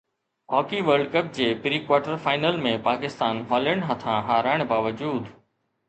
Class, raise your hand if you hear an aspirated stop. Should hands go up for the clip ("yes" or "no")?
yes